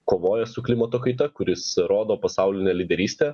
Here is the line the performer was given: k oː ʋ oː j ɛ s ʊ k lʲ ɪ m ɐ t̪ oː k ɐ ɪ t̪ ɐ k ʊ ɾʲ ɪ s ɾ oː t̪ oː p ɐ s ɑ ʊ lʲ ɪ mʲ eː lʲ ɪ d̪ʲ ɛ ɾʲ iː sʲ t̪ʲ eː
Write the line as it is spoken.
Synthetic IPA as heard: k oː ʋ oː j ɛ s ʊ k lʲ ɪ m ɐ t̪ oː k ɐ ɪ t̪ ɐ k ʊ ɾʲ ɪ s ɾ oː d̪ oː p ɐ s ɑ ʊ lʲ ɪ nʲ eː lʲ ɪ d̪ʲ ɛ ɾʲ iː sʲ t̪ʲ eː